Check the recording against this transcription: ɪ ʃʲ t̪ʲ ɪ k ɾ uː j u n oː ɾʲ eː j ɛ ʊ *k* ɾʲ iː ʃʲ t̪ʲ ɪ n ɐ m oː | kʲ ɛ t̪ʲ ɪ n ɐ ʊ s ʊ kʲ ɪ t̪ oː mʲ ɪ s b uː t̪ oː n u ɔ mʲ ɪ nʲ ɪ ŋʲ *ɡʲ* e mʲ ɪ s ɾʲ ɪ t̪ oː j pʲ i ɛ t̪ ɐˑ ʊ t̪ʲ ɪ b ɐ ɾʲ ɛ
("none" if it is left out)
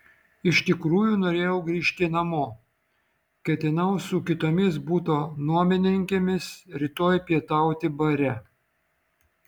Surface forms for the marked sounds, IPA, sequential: ɡ, kʲ

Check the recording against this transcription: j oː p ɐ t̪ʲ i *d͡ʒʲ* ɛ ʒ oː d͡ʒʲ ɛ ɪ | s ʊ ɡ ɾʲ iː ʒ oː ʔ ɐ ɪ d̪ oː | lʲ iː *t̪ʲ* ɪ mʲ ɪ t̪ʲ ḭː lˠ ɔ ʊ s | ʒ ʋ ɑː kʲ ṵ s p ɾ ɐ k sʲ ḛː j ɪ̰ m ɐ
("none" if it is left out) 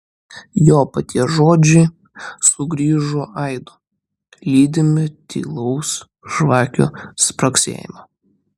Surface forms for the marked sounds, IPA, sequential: none, d̪ʲ

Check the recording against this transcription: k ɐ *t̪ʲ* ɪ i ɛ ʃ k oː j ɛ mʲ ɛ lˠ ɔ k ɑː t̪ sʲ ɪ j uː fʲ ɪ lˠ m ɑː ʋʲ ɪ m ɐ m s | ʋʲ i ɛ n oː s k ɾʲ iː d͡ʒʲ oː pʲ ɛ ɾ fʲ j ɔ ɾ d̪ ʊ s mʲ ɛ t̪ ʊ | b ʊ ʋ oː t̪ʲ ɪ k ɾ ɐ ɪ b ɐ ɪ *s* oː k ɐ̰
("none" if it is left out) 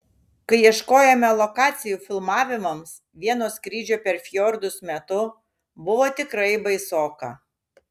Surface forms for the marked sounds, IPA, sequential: none, s

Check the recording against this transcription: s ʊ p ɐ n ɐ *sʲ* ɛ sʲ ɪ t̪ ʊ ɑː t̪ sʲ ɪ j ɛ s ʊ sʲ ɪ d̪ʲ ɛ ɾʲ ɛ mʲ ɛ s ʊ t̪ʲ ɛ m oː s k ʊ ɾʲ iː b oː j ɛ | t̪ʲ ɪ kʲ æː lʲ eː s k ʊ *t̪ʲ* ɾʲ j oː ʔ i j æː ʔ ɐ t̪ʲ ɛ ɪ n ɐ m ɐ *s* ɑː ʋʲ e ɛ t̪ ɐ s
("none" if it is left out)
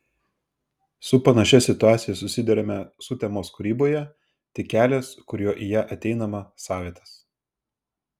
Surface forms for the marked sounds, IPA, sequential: ʃʲ, none, s

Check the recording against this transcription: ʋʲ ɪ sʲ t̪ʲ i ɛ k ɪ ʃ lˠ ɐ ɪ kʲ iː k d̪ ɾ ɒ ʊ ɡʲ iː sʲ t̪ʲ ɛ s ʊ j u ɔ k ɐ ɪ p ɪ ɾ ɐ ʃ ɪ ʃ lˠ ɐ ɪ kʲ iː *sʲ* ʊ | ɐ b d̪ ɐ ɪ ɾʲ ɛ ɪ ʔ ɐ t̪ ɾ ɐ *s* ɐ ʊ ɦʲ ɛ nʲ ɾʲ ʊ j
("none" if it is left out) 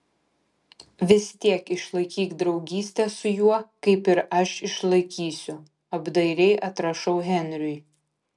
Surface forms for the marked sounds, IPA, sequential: sʲ, ʃ

